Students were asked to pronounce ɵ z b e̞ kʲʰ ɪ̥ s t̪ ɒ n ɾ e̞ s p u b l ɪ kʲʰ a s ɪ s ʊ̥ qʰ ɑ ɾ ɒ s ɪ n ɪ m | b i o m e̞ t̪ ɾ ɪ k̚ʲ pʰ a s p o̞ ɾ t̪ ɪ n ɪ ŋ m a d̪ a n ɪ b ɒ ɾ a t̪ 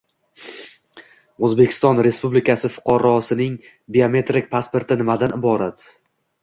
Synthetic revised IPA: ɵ z b e̞ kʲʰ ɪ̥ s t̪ ɒ n ɾ e̞ s p u b l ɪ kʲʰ a s ɪ f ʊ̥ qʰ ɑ ɾ ɒ s ɪ n ɪ ŋ | b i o m e̞ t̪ ɾ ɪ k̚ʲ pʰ a s p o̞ ɾ t̪ ɪ n ɪ m a d̪ a n ɪ b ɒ ɾ a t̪